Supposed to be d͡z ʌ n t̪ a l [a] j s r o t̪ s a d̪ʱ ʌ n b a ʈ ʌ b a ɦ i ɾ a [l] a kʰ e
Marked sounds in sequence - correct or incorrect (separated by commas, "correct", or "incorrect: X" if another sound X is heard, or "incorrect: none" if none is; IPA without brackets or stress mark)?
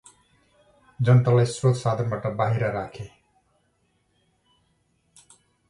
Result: correct, incorrect: ɾ